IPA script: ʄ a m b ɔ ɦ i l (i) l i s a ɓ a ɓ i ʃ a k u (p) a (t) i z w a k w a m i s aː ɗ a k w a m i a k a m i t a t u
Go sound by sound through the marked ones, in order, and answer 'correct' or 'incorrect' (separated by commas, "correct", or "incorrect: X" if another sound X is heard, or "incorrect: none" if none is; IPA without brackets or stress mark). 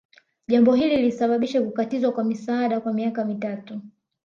correct, incorrect: k, correct